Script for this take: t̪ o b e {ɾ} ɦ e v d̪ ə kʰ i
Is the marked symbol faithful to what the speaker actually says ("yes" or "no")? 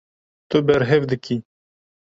yes